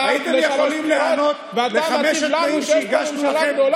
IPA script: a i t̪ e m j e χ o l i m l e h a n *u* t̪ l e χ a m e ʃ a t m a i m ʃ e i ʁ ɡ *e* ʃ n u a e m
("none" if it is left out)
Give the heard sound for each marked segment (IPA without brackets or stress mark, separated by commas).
o, a